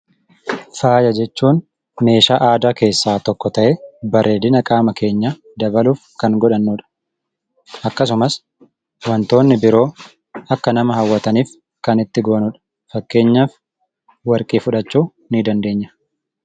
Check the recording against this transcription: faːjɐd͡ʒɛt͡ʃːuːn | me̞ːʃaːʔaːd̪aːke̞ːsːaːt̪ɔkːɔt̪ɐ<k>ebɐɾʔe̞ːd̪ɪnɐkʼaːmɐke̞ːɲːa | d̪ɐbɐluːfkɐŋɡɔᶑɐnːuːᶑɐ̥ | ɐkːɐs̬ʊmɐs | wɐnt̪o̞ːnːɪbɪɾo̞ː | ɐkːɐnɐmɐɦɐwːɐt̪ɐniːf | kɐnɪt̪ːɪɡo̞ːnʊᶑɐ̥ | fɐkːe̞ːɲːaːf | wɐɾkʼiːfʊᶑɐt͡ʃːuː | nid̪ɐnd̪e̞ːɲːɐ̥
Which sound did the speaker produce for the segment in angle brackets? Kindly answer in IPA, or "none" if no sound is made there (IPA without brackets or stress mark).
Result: ʔ